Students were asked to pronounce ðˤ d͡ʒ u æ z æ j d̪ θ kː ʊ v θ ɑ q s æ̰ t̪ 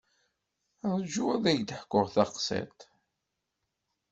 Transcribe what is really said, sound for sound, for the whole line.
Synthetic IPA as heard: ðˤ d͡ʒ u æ ð æ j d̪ ħ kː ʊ ʁ θ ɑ q s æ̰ t̪